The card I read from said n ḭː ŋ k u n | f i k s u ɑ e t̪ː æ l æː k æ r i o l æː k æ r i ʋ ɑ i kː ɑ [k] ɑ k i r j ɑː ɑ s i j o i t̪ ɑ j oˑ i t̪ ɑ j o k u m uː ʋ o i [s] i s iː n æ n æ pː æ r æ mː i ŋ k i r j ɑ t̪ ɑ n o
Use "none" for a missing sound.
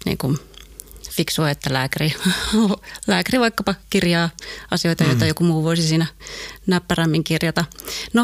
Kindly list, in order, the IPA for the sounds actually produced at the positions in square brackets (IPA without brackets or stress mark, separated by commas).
p, s